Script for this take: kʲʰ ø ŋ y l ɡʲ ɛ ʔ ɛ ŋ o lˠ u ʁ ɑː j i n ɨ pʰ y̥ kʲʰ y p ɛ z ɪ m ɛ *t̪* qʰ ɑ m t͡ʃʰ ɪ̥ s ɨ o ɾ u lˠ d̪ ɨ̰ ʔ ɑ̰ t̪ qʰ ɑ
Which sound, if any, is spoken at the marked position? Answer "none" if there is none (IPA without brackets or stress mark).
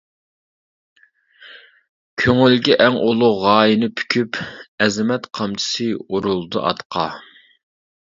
t̪